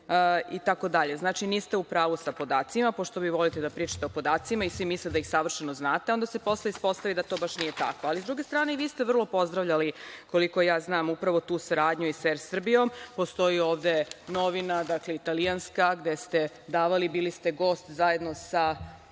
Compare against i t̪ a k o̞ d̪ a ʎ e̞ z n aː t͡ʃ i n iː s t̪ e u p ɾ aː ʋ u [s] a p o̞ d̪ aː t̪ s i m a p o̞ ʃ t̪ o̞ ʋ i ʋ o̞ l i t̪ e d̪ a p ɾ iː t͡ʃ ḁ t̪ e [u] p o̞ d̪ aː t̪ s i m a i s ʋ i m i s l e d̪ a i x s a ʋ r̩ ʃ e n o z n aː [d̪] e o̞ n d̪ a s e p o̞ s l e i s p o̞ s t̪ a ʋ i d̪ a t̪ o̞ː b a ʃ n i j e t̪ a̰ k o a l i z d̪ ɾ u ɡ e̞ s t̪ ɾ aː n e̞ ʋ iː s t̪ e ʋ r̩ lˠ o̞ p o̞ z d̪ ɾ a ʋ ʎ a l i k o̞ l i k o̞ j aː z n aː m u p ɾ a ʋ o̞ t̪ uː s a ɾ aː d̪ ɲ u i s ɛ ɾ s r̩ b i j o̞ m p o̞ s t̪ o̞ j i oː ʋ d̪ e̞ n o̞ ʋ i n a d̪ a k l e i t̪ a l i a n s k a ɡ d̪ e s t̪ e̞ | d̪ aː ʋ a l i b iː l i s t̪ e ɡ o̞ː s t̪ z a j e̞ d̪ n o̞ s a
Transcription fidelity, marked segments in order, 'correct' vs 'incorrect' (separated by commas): correct, incorrect, incorrect